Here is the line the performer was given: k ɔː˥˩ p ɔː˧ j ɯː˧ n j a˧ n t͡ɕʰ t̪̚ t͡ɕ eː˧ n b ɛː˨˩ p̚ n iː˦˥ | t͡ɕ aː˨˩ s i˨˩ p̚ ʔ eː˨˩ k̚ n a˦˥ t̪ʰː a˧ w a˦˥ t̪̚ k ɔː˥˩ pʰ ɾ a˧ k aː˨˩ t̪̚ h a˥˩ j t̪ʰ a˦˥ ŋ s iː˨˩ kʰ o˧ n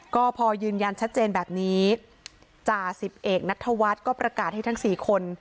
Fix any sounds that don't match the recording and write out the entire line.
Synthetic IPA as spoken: k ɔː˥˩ pʰ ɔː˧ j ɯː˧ n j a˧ n t͡ɕʰ t̪̚ t͡ɕ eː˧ n b ɛː˨˩ p̚ n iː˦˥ | t͡ɕ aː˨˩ s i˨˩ p̚ ʔ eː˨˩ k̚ n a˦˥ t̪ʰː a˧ w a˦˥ t̪̚ k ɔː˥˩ p ɾ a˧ k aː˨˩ t̪̚ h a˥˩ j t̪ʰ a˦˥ ŋ s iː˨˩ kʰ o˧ n